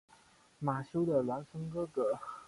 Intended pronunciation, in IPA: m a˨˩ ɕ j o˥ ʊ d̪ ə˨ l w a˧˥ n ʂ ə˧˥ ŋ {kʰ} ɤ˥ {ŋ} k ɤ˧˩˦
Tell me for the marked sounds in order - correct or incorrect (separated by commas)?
incorrect, incorrect